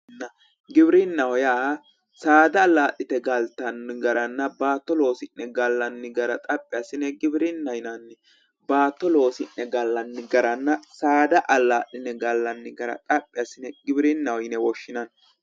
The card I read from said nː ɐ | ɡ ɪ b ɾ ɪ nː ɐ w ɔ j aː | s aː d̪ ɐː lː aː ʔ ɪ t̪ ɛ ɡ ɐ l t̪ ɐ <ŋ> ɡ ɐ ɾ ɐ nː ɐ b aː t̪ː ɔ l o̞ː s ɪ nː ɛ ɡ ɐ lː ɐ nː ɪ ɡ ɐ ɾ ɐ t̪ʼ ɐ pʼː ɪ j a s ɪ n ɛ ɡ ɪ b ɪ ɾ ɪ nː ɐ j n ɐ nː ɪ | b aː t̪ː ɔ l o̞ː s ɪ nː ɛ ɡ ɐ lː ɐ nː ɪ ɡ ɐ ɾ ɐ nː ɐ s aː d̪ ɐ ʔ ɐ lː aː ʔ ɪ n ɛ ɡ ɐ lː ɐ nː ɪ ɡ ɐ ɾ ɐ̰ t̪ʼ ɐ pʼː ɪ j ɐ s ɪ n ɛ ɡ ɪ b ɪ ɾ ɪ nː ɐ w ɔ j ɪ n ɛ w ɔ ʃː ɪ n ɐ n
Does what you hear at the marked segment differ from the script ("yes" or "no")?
yes